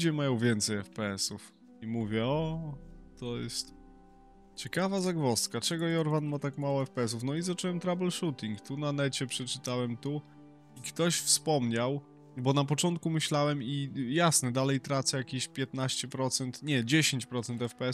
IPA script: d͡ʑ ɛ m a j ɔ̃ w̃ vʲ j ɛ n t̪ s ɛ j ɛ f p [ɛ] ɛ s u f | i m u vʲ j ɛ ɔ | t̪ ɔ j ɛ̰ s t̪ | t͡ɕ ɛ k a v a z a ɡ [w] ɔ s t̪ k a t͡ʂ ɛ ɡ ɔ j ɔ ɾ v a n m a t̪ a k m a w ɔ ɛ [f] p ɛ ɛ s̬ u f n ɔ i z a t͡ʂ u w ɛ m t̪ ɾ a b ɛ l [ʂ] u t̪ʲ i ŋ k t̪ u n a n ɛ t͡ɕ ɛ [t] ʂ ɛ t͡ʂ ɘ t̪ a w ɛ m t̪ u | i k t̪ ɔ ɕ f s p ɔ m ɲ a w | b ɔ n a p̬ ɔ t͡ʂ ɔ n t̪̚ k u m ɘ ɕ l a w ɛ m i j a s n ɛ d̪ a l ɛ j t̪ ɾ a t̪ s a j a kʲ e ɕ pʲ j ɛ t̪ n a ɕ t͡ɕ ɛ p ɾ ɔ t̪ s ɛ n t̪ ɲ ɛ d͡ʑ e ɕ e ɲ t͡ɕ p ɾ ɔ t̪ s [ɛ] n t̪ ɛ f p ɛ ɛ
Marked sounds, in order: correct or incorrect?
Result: correct, incorrect, correct, correct, incorrect, correct

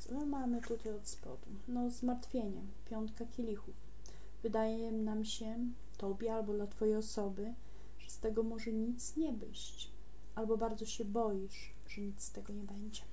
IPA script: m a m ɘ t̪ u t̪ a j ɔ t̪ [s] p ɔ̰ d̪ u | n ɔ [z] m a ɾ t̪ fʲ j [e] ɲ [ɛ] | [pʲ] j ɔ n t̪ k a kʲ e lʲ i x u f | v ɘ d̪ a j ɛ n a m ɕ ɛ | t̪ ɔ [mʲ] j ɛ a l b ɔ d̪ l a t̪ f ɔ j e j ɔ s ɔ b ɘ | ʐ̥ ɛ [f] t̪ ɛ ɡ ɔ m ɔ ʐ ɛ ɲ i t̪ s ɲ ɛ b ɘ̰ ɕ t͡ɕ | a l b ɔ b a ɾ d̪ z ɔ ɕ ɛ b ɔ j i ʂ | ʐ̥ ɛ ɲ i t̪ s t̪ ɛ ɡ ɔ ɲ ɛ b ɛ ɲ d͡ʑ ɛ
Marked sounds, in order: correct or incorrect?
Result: correct, correct, correct, correct, correct, incorrect, incorrect

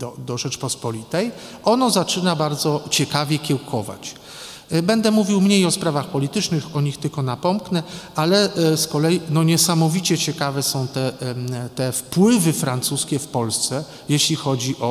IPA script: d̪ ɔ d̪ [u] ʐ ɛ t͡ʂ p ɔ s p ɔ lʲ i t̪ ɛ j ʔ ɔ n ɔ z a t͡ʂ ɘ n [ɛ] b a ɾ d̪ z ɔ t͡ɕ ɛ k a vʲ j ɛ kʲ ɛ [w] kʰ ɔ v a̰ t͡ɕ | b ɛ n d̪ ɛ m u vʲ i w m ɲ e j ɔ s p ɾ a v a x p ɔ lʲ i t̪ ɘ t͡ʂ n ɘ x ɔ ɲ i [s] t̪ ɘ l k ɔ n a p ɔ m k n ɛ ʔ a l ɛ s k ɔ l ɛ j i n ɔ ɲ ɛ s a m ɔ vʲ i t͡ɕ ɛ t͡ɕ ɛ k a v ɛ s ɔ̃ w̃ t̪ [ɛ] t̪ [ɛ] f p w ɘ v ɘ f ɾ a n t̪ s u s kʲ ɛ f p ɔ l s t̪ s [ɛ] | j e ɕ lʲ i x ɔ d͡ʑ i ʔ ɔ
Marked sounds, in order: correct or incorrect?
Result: incorrect, incorrect, correct, incorrect, correct, correct, correct

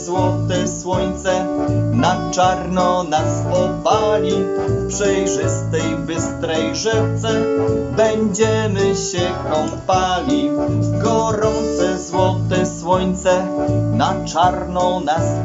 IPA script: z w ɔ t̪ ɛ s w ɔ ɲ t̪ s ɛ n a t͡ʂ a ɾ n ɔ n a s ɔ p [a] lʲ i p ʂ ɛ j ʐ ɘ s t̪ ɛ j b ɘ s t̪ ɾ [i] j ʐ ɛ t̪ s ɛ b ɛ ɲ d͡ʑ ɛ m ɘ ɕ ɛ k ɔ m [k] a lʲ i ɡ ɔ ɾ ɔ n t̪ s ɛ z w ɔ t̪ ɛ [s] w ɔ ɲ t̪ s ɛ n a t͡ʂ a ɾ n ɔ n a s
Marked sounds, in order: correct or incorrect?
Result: correct, incorrect, incorrect, correct

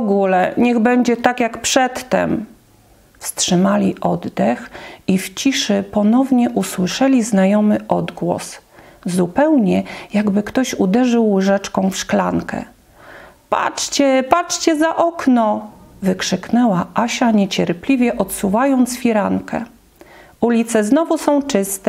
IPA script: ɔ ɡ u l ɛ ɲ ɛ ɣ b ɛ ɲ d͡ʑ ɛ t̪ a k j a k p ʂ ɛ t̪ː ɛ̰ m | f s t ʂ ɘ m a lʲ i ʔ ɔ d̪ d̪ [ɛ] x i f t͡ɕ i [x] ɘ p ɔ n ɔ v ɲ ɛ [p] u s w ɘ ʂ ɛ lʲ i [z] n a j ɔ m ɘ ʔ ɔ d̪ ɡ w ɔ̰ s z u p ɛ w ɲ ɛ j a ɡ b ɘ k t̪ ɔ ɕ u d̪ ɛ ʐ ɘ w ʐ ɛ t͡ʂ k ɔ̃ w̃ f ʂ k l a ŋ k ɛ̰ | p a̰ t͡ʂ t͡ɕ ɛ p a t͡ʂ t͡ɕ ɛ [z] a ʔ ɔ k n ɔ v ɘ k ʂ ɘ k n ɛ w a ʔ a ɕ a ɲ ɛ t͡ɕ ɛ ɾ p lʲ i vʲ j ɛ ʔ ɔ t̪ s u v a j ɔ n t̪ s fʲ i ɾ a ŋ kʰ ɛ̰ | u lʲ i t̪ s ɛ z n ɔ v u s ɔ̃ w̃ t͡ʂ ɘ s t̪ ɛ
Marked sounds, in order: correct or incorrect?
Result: correct, incorrect, incorrect, correct, correct

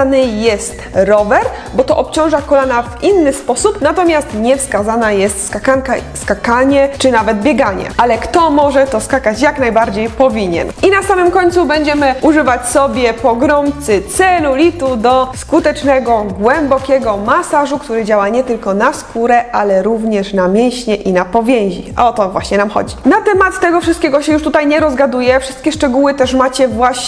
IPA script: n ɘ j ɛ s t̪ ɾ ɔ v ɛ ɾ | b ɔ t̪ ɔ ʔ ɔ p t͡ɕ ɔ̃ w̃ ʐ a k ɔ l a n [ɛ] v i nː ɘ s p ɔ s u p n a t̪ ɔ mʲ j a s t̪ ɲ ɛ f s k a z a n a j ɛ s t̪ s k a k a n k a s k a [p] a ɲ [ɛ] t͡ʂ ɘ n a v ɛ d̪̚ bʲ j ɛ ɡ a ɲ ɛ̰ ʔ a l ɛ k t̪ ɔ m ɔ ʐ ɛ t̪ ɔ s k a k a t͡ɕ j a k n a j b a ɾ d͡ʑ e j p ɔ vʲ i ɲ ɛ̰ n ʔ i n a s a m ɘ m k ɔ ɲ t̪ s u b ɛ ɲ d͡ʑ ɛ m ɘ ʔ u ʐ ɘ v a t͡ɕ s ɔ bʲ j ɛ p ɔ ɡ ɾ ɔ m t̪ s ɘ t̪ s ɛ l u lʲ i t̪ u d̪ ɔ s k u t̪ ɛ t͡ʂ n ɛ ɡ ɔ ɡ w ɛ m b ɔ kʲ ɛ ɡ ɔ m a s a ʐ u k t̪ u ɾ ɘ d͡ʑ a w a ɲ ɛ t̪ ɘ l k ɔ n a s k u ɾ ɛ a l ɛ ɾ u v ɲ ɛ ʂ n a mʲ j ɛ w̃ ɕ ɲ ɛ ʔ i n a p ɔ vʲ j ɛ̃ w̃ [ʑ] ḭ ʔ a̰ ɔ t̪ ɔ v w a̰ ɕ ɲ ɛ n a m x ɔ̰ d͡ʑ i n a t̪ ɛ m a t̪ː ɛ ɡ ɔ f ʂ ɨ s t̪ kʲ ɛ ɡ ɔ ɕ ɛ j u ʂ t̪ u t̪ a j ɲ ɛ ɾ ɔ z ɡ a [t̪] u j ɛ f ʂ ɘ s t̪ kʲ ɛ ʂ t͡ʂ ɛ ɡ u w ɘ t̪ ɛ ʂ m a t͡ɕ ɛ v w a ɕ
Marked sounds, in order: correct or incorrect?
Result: incorrect, incorrect, correct, correct, incorrect

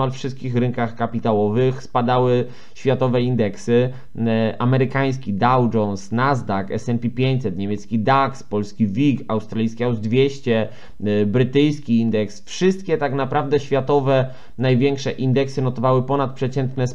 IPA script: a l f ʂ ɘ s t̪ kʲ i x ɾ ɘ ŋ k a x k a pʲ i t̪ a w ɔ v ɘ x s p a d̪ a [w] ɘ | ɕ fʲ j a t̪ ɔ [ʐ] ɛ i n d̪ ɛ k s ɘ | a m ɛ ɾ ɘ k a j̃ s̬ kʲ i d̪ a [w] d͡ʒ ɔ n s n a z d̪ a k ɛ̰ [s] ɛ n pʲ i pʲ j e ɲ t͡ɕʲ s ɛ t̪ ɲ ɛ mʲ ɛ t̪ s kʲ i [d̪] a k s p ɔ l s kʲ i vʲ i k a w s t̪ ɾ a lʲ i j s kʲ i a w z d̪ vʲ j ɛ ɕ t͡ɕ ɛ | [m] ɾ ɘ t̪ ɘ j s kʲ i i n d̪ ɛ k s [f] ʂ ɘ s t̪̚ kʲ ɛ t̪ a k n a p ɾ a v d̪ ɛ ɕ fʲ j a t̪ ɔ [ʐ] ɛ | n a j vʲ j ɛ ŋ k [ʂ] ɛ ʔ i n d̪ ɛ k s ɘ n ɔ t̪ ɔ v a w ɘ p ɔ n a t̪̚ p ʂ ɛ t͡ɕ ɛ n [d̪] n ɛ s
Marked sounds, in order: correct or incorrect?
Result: correct, incorrect, correct, correct, correct, incorrect, correct, incorrect, correct, incorrect

